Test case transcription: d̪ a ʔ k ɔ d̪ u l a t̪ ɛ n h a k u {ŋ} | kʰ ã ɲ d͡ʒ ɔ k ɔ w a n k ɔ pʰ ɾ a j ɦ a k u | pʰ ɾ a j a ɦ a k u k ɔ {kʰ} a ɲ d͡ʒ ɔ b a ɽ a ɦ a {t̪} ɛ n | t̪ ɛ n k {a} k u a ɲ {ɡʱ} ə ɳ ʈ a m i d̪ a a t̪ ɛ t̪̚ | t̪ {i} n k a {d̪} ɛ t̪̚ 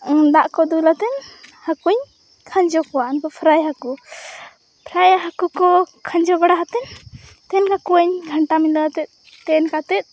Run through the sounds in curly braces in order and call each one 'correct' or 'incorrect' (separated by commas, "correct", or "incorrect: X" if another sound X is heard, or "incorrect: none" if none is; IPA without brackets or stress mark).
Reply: incorrect: ɲ, correct, correct, correct, correct, incorrect: ɛ, incorrect: t̪